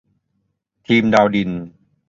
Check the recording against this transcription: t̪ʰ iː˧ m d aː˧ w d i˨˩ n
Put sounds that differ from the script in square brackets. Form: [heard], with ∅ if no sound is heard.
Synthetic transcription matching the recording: t̪ʰ iː˧ m d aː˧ w d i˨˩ n